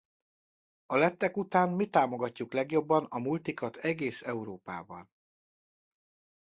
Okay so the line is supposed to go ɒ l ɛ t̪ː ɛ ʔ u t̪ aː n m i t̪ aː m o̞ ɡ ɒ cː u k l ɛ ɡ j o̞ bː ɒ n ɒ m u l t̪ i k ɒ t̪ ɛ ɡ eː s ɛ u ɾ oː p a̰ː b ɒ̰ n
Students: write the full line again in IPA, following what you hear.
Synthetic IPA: ɒ l ɛ t̪ː ɛ k u t̪ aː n m i t̪ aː m o̞ ɡ ɒ cː u k l ɛ ɡ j o̞ bː ɒ n ɒ m u l t̪ i k ɒ t̪ ɛ ɡ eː s ɛ u ɾ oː p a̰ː b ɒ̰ n